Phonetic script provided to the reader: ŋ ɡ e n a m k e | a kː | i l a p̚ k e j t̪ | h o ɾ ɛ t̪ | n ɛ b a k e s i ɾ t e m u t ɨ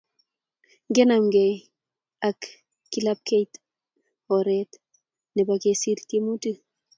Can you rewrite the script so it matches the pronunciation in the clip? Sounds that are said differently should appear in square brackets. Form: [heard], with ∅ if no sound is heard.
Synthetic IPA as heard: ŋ ɡ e n a m [ɡ] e | a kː | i l a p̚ k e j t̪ | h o ɾ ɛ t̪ | n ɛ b a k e s i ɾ t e m u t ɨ